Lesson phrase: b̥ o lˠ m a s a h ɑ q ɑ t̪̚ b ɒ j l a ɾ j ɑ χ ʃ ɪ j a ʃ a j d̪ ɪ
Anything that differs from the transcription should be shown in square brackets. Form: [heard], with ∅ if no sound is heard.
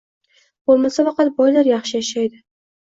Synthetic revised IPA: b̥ o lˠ m a s a [f] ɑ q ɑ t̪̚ b ɒ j l a ɾ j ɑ χ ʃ ɪ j a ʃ a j d̪ ɪ